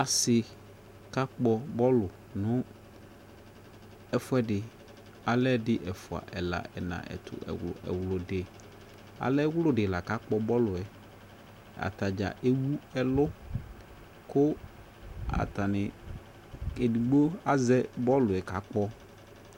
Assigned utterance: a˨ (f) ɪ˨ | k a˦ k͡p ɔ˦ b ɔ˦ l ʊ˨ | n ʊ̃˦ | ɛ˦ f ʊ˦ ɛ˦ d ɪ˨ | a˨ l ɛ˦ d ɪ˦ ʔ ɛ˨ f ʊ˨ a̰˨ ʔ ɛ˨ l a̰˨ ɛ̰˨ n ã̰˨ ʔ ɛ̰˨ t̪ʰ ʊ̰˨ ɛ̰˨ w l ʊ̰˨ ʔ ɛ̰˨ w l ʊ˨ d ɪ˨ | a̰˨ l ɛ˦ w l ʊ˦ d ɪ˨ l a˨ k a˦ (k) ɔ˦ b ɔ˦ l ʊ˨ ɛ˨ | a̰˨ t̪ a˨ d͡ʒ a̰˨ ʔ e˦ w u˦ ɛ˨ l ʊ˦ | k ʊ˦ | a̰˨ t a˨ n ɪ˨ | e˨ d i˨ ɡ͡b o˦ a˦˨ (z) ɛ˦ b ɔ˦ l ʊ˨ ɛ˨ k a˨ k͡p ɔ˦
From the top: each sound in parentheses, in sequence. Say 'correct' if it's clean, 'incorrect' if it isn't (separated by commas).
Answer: incorrect, incorrect, correct